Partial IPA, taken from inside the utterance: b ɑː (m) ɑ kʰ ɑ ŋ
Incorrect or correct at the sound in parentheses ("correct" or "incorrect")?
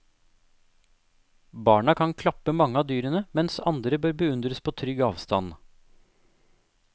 incorrect